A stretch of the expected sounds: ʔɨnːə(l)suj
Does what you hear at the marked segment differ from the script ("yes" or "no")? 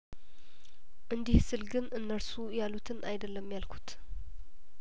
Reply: yes